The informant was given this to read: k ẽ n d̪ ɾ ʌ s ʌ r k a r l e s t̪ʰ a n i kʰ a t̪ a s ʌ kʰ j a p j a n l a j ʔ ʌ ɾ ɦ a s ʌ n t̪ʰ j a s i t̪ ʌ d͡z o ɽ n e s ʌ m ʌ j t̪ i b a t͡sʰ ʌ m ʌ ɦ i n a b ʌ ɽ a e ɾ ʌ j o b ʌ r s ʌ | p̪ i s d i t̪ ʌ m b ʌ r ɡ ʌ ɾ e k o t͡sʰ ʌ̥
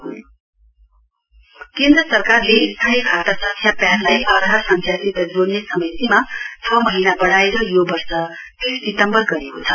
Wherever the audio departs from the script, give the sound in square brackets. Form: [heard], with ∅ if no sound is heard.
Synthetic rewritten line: k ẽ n d̪ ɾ ʌ s ʌ r k a r l e s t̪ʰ a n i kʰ a t̪ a s ʌ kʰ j a p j a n l a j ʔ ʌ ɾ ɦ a s ʌ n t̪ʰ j a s i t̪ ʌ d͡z o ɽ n e s ʌ m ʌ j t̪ i [m] a t͡sʰ ʌ m ʌ ɦ i n a b ʌ ɽ a e ɾ ʌ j o b ʌ r s ʌ | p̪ i s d i t̪ ʌ m b ʌ r ɡ ʌ ɾ e k o t͡sʰ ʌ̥